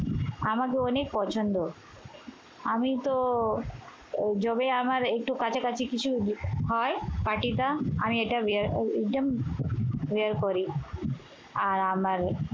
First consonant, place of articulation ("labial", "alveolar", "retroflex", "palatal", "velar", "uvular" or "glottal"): labial